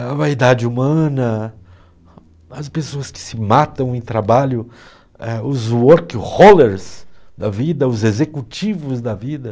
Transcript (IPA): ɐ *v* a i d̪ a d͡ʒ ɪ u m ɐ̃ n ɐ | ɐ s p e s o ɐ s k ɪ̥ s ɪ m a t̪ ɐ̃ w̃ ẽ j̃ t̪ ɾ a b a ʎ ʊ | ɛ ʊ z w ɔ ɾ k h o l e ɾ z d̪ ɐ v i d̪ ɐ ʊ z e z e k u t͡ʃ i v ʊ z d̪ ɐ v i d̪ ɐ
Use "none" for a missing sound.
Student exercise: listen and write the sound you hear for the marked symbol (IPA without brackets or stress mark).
v